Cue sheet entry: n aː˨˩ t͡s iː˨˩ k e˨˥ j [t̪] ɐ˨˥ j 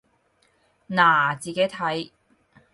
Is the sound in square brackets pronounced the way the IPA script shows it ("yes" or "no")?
no